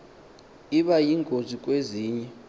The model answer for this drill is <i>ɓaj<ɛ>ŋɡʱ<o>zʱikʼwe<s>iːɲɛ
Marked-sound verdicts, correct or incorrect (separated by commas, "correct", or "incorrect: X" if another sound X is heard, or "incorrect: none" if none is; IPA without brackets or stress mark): correct, incorrect: i, correct, incorrect: z